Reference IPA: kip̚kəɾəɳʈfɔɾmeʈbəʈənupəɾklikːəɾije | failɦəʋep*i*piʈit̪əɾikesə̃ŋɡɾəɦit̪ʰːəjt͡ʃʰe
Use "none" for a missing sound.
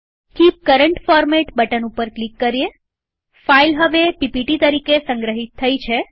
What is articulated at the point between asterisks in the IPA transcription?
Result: i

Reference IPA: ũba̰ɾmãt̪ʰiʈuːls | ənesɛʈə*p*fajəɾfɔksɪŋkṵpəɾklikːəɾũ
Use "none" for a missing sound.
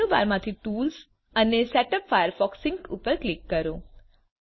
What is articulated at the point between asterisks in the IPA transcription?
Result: p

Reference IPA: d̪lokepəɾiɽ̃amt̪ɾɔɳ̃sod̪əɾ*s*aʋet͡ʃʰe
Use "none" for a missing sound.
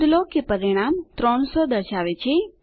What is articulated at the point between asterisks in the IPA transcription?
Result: ʃ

